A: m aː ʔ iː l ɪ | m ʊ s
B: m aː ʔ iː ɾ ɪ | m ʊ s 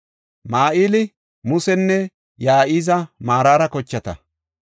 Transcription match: A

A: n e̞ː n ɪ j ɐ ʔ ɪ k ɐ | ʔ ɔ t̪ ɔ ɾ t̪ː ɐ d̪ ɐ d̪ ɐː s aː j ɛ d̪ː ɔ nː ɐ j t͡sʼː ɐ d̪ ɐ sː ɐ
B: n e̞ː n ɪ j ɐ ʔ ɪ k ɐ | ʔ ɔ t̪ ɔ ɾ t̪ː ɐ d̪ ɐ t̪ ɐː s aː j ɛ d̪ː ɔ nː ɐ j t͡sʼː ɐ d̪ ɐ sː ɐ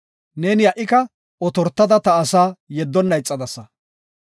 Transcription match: B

